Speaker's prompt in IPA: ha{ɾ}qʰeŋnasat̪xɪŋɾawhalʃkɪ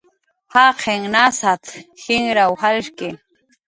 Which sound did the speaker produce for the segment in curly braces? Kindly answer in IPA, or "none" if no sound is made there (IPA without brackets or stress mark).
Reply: none